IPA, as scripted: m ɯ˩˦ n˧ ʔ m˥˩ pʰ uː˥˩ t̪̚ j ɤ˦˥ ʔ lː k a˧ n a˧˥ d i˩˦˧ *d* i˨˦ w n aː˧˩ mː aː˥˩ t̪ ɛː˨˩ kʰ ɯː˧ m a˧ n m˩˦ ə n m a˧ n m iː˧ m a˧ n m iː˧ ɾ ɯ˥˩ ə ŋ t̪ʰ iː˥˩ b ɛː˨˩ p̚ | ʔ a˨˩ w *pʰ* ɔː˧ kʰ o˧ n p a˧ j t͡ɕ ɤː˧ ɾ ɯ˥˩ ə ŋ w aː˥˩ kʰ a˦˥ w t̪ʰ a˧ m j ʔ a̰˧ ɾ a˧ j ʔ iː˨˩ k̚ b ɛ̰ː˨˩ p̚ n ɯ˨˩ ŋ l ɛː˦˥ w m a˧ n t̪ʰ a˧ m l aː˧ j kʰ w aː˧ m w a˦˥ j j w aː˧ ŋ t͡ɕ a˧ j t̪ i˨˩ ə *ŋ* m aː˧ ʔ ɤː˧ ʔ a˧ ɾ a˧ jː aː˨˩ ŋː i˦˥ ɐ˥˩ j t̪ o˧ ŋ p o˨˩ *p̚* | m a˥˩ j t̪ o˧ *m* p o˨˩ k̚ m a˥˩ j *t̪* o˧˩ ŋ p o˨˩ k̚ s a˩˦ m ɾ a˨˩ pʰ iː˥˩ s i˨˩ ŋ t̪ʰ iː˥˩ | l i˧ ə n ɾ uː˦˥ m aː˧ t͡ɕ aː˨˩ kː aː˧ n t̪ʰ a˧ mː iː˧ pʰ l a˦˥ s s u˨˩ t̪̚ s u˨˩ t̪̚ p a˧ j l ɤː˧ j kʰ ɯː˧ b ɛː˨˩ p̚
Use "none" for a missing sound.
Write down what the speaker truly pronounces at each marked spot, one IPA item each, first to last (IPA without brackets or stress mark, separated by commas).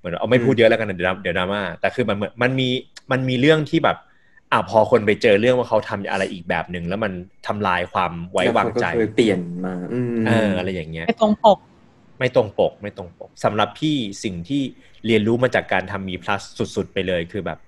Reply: d, pʰ, n, k̚, ŋ, t̪